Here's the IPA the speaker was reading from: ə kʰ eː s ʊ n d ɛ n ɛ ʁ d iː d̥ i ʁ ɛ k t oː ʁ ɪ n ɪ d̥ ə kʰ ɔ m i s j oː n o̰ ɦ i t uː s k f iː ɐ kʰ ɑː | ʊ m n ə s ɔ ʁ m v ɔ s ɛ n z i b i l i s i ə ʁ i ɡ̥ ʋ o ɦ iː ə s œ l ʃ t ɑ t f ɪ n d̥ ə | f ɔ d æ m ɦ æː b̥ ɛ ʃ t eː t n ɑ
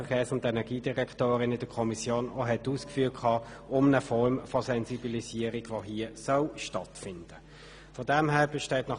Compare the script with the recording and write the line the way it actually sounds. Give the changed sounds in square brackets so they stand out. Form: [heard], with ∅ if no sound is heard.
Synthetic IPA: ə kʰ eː s ʊ n d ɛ n ɛ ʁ [ɡ] iː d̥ i ʁ ɛ k t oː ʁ ɪ n ɪ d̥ ə kʰ ɔ m i s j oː n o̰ ɦ [ɛ] t uː s k f [yː] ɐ kʰ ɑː | ʊ m n ə [f] ɔ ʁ m [f] ɔ s ɛ n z i b i l i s i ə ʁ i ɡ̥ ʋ o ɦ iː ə s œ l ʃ t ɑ t f ɪ n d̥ ə | f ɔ d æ m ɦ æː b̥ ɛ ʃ t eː t n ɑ